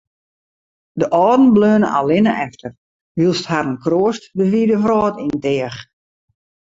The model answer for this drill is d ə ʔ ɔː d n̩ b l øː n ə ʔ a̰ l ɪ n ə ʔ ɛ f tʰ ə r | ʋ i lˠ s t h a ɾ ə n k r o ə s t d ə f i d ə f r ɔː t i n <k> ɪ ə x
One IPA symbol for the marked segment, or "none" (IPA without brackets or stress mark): t